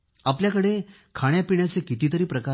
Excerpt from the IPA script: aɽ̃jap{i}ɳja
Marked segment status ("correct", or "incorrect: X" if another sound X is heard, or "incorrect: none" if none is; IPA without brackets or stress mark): correct